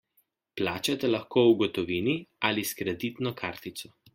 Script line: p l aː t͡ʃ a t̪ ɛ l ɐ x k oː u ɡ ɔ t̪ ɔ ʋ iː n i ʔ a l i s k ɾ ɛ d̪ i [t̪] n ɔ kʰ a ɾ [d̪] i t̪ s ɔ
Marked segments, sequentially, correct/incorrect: correct, incorrect

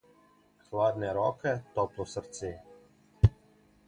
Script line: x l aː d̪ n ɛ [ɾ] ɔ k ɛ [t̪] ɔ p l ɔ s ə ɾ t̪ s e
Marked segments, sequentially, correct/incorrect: correct, correct

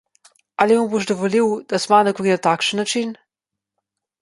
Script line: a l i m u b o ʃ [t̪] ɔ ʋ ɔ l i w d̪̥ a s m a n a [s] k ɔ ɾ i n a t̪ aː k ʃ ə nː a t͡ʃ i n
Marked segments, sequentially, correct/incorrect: incorrect, incorrect

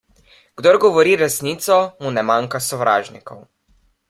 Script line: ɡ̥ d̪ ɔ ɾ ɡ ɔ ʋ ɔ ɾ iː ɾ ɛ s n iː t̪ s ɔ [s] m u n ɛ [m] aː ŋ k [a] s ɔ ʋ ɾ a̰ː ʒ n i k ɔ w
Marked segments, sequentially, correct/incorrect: incorrect, correct, correct

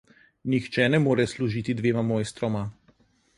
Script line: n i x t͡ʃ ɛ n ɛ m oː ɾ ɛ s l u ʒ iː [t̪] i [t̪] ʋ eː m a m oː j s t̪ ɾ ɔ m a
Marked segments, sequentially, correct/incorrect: correct, incorrect

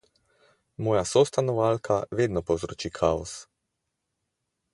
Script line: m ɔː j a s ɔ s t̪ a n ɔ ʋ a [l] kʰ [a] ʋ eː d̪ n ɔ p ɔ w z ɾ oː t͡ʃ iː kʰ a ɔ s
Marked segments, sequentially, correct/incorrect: correct, correct

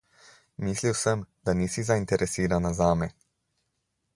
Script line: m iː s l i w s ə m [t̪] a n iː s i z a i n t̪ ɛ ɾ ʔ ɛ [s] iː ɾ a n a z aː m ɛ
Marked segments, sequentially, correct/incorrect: incorrect, correct

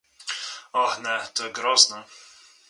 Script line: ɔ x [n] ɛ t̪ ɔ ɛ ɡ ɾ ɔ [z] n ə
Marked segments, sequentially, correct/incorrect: correct, correct

